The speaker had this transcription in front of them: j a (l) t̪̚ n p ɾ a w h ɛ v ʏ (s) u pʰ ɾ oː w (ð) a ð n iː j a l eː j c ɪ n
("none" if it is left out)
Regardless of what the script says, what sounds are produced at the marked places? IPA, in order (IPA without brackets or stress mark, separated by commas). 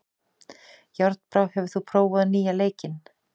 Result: ɾ, θ, v